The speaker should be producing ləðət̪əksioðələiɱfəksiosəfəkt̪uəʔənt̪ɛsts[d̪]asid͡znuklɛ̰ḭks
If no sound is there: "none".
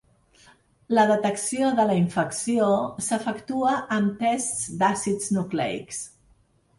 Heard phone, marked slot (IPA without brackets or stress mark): d̪